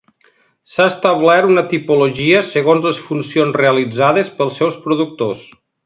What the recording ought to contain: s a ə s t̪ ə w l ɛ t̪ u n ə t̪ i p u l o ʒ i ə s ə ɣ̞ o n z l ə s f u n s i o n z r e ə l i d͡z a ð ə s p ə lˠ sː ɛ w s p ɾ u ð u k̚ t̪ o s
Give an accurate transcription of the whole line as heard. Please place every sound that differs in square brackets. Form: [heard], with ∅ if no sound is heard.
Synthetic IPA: s a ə s t̪ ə [β] l ɛ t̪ u n ə t̪ i p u l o ʒ i ə s ə ɣ̞ o n z l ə s f u n s i o n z r e ə l i d͡z a ð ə s p ə lˠ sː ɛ w s p ɾ u ð u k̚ t̪ o s